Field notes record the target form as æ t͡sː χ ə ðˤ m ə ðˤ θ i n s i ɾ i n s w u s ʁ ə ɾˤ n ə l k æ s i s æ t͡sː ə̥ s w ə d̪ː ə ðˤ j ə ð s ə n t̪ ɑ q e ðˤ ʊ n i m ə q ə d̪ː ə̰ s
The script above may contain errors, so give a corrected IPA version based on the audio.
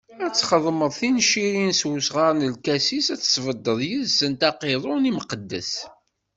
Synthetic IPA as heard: æ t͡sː χ ə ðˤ m ə ðˤ θ i n ʃ i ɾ i n s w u s ʁ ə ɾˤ n ə l k æ s i s æ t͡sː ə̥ s v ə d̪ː ə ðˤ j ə ð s ə n t̪ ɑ q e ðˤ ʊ n i m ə q ə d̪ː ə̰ s